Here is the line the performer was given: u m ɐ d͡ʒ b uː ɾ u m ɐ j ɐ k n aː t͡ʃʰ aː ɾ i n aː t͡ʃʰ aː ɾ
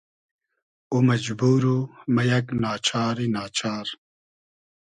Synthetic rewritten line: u m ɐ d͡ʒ b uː ɾ u m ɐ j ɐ k n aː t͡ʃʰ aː ɾ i n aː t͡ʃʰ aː ɾ